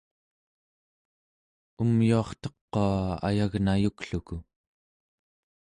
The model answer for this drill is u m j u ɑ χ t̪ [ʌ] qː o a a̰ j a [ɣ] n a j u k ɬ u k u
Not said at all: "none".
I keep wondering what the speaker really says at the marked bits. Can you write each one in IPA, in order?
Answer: ʌ, ɣ

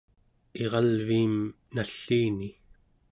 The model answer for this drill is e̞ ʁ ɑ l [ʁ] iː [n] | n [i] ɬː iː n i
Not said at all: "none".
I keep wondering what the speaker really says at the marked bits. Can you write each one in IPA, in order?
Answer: v, m, a

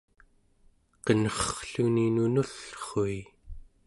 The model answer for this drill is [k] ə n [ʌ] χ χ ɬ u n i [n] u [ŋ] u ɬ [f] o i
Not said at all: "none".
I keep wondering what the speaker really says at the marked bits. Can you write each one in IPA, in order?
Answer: q, ʌ, n, n, χ

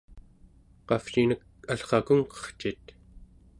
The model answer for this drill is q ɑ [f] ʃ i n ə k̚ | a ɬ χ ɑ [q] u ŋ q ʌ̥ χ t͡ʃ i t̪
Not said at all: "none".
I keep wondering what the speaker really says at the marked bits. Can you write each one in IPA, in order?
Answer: f, k

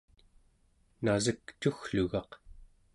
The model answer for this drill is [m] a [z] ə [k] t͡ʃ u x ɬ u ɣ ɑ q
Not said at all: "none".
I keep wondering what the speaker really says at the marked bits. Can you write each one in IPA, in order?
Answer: n, z, k

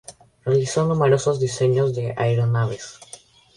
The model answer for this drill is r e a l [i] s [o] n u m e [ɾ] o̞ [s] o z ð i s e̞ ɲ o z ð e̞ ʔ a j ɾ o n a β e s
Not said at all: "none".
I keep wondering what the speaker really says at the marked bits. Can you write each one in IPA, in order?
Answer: i, o, ɾ, s

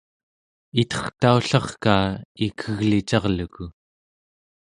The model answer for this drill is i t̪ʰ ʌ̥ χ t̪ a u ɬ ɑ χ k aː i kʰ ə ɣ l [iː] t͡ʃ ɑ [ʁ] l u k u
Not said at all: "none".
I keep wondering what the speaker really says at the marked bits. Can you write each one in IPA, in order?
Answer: i, ʁ

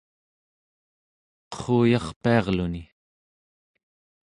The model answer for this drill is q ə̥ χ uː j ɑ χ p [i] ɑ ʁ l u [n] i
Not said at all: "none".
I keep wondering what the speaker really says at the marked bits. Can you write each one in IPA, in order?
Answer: i, n

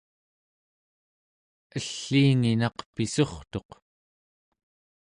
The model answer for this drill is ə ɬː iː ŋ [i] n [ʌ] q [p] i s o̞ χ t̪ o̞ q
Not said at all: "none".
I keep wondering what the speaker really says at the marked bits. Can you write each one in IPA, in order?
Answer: i, ɑ, p

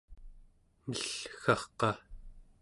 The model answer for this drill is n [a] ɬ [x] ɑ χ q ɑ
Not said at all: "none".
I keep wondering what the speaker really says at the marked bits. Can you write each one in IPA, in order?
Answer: ə, x

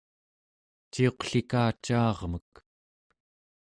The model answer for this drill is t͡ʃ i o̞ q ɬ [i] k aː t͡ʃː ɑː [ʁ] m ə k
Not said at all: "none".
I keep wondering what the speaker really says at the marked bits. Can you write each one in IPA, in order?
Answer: i, ʁ

